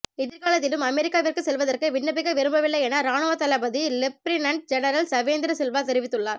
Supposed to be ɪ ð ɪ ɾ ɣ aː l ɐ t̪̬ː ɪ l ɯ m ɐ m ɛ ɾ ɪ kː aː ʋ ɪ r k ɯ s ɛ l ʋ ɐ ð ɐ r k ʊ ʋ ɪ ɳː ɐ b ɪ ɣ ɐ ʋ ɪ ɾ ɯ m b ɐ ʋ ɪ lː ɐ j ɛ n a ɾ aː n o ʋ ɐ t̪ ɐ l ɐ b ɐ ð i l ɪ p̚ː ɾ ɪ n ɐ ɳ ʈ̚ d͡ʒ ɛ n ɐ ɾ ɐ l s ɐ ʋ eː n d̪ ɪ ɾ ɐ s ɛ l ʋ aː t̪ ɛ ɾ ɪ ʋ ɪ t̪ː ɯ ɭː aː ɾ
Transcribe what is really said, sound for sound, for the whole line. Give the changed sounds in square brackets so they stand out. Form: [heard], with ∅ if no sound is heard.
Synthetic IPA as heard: ɪ ð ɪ ɾ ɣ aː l ɐ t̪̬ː ɪ l ɯ m ɐ m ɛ ɾ ɪ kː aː ʋ ɪ r k ɯ s ɛ l ʋ ɐ ð ɐ r k [ɯ] ʋ ɪ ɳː ɐ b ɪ ɣ ɐ ʋ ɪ ɾ ɯ m b ɐ ʋ ɪ lː ɐ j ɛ n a ɾ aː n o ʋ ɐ t̪ ɐ l ɐ b ɐ ð i l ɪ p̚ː ɾ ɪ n ɐ ɳ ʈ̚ d͡ʒ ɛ n ɐ ɾ ɐ l s ɐ ʋ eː n d̪ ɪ ɾ ɐ s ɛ l ʋ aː t̪ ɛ ɾ ɪ ʋ ɪ t̪ː ɯ ɭː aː ɾ